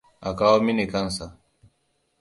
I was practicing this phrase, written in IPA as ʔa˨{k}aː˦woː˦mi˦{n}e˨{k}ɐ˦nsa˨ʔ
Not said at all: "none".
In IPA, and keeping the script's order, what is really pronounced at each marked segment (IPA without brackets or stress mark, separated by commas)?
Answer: k, n, k